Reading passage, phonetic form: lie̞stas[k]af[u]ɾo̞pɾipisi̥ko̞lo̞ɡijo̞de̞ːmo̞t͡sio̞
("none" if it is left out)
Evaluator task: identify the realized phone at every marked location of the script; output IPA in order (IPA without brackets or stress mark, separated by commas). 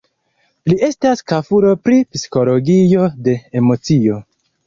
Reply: k, u